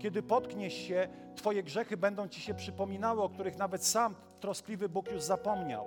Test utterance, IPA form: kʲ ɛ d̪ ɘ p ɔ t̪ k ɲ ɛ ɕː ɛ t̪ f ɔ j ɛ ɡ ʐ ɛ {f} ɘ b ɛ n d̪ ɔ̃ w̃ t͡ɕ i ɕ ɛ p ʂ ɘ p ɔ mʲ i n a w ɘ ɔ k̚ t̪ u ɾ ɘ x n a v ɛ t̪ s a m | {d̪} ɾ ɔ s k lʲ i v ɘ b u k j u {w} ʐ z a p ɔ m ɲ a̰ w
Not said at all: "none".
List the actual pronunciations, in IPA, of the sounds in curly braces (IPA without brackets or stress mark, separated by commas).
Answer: x, t̪, none